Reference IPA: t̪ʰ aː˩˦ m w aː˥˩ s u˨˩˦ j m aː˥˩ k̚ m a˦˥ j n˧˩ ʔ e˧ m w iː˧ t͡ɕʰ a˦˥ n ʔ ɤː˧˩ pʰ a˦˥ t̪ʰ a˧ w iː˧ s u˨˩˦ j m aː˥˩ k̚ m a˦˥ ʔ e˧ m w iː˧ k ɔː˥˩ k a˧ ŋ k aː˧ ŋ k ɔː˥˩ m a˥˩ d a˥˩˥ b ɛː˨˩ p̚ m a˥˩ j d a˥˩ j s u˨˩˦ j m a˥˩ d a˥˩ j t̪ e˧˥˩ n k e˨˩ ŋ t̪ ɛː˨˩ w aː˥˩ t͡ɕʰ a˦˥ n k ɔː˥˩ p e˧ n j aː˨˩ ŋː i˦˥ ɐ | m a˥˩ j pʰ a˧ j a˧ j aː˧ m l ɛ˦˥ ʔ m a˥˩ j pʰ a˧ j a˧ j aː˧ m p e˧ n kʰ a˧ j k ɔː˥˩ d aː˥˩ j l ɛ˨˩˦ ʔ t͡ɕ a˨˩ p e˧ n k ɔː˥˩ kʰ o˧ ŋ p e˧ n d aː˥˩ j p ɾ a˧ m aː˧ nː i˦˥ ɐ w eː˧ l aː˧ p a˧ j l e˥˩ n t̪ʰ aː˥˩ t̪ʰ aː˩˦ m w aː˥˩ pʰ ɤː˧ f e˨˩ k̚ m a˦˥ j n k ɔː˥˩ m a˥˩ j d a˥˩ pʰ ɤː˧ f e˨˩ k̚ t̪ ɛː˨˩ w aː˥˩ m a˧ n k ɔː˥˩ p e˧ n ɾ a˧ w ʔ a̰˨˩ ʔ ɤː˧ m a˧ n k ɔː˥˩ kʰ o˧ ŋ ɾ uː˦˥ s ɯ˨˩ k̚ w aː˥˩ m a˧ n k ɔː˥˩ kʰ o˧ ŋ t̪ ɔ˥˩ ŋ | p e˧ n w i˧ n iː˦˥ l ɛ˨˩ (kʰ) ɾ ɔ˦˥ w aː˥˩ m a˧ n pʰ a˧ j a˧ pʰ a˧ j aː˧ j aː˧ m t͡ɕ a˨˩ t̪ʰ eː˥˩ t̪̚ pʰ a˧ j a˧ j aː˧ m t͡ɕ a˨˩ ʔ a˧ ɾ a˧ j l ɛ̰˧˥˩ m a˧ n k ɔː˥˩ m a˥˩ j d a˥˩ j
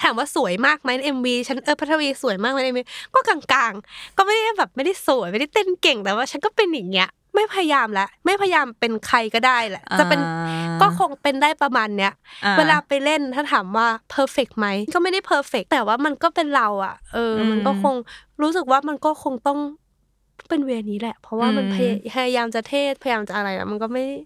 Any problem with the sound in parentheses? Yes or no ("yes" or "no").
yes